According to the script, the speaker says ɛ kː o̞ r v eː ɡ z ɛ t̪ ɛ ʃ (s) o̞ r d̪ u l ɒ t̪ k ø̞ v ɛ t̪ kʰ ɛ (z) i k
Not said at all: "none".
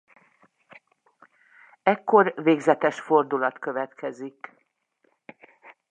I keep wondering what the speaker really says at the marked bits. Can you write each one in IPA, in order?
f, z

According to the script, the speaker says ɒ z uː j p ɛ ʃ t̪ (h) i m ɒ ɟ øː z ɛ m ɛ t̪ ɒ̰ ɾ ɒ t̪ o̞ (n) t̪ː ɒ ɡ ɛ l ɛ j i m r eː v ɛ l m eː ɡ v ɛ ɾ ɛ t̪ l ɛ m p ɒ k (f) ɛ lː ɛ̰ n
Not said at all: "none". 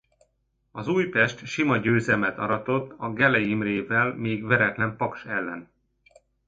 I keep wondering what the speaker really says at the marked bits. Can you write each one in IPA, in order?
ʃ, none, ʃ

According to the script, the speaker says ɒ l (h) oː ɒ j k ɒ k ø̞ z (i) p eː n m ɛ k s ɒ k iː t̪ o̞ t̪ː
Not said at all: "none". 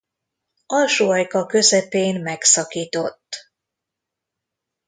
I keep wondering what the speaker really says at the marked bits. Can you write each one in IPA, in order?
ʃ, ɛ

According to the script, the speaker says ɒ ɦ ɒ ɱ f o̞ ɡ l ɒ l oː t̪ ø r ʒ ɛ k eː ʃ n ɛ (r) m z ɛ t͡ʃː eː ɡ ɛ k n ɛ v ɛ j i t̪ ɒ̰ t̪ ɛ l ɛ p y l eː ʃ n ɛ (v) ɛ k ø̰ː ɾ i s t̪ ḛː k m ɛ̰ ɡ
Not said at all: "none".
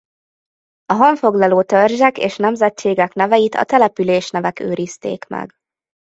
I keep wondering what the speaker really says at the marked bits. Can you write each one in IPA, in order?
none, v

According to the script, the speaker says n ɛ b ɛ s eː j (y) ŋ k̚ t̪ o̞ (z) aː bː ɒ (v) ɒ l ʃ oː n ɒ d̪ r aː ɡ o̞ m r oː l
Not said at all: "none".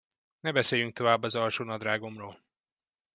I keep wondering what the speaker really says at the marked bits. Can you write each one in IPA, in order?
y, v, z

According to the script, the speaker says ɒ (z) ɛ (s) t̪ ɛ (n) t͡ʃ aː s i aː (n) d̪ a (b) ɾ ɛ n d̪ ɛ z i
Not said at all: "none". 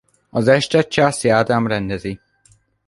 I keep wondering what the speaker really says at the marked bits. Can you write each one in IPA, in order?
z, ʃ, none, none, m

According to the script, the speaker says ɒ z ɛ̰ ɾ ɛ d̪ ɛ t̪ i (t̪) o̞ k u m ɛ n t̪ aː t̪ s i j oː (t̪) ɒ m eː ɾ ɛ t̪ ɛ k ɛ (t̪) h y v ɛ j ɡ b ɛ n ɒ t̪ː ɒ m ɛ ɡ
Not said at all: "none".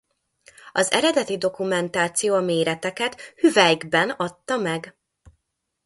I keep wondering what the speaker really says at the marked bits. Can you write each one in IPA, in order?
d̪, none, t̪

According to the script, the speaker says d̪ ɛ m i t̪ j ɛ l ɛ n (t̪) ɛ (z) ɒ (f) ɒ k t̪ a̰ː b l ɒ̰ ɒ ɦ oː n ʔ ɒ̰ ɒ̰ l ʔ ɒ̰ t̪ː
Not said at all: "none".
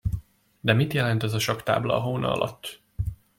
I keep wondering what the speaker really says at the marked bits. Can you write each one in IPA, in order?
t̪, z, ʃ

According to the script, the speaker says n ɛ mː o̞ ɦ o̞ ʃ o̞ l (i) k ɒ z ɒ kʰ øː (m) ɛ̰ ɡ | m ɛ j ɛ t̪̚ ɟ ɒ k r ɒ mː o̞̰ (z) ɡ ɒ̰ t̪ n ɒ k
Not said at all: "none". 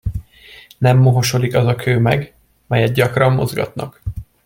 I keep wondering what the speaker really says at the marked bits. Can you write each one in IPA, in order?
i, m, z

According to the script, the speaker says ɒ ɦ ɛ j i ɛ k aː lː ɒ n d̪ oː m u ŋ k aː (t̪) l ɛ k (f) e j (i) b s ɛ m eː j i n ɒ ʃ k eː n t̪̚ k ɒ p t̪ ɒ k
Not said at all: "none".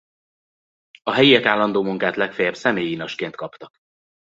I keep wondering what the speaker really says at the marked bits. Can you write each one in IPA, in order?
t̪, f, ɛ

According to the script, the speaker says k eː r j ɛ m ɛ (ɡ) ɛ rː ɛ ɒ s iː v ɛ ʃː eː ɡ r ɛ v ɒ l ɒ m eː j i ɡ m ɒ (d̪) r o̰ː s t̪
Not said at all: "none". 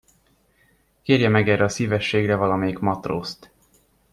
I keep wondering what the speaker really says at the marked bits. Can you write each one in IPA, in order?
ɡ, t̪

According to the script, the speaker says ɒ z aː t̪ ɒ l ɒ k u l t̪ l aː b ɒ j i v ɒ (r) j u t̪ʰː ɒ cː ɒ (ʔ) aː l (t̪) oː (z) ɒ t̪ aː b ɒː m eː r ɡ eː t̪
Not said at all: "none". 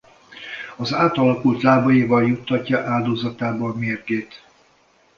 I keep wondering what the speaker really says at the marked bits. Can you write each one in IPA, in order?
l, ʔ, d̪, z

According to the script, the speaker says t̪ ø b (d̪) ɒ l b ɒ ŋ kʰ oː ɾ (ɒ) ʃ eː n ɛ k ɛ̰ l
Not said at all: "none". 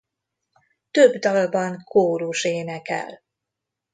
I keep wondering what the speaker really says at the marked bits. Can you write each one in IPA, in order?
d̪, u

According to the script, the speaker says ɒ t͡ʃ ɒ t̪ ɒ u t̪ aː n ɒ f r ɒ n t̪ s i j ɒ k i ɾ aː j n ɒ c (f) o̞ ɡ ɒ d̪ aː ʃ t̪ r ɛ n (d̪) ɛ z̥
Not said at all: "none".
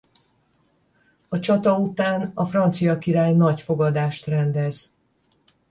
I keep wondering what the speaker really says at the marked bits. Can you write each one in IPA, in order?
f, d̪

